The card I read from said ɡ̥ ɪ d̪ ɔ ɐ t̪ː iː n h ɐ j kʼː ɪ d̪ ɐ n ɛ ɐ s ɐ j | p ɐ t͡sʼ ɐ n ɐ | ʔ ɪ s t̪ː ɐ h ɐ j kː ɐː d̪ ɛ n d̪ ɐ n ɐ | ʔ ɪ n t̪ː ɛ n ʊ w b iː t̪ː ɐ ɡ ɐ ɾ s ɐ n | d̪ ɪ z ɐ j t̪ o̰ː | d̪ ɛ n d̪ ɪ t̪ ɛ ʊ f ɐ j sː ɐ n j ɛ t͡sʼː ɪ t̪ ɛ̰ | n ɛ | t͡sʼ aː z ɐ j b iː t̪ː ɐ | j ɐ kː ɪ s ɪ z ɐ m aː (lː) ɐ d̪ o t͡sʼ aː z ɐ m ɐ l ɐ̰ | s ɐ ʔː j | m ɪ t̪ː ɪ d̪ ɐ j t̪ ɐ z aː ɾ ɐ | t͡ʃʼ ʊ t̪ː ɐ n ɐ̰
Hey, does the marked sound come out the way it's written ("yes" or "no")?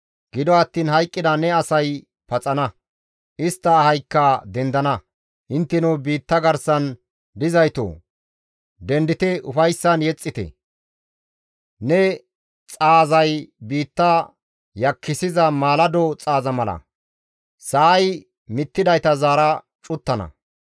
no